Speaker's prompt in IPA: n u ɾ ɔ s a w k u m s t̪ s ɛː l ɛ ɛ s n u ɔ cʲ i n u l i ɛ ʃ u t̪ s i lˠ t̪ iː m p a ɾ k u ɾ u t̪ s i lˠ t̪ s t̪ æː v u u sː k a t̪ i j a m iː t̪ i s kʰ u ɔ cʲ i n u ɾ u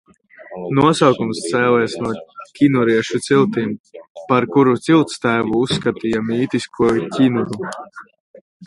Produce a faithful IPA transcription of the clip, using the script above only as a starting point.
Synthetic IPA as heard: n u ɔ s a w k u m s t̪ s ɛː l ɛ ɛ s n u ɔ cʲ i n u ɾ i ɛ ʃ u t̪ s i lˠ t̪ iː m p a ɾ k u ɾ u t̪ s i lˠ t̪ s t̪ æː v u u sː k a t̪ i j a m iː t̪ i s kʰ u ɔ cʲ i n u ɾ u